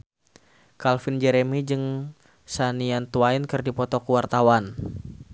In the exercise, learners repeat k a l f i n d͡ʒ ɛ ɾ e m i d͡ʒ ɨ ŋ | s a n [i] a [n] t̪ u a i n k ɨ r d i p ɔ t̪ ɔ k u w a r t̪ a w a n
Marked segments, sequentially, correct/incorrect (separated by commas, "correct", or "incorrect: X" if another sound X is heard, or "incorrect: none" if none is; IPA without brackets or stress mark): correct, correct